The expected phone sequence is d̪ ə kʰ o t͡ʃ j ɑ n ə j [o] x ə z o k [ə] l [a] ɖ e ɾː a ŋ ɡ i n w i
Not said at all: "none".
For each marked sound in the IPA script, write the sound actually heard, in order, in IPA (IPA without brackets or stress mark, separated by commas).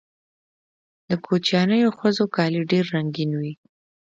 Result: o, ɑ, i